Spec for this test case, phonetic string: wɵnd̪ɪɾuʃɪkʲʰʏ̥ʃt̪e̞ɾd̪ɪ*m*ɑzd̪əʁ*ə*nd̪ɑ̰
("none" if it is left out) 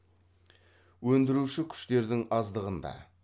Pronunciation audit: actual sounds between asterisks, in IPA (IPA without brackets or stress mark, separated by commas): ŋ, ə